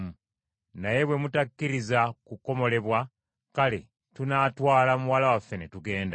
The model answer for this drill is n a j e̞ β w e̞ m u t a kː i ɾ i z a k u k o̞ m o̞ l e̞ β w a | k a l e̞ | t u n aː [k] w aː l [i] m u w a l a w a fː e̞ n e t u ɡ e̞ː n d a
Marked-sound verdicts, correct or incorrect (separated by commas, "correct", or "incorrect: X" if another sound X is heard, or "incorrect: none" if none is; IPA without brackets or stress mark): incorrect: t, incorrect: a